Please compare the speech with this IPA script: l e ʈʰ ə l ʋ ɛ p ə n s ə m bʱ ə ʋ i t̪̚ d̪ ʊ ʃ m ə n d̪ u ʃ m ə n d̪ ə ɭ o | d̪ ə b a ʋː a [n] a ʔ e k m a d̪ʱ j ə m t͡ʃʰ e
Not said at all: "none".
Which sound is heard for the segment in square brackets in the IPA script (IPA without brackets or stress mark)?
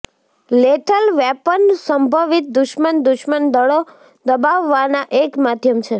n